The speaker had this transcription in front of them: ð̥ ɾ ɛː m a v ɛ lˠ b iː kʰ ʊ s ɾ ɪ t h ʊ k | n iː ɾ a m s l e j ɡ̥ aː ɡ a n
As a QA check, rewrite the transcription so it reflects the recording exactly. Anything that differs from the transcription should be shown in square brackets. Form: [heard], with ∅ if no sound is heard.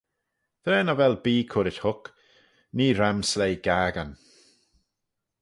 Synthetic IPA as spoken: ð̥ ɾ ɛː [n] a v ɛ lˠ b iː kʰ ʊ [∅] ɾ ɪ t h ʊ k | n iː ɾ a m s l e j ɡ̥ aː ɡ a n